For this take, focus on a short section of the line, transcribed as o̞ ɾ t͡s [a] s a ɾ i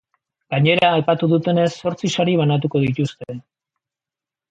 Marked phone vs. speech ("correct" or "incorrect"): incorrect